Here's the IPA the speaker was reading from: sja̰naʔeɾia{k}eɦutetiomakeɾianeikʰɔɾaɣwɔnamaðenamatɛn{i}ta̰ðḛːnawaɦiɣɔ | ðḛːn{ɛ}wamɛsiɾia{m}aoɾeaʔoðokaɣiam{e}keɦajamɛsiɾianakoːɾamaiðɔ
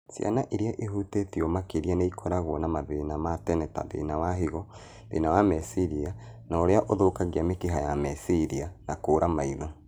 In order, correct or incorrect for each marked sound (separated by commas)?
incorrect, incorrect, incorrect, incorrect, correct